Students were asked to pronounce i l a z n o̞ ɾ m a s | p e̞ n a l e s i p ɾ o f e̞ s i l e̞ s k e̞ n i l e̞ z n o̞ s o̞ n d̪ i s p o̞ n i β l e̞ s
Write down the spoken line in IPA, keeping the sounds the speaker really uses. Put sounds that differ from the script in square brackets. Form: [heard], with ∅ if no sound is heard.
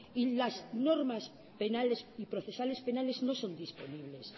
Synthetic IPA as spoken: i l a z n o̞ ɾ m a s | p e̞ n a l e s i p ɾ o [θ] e̞ s [a] l e̞ s [p] e̞ n [a] l e̞ z n o̞ s o̞ n d̪ i s p o̞ n i β l e̞ s